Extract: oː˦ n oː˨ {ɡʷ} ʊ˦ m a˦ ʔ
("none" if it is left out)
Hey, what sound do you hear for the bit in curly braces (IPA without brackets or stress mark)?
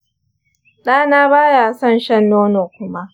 kʷ